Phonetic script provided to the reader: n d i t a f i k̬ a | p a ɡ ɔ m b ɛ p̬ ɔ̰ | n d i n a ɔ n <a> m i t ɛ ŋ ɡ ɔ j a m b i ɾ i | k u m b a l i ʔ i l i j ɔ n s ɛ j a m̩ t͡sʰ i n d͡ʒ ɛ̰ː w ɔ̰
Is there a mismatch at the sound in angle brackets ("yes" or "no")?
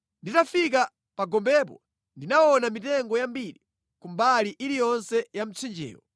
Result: no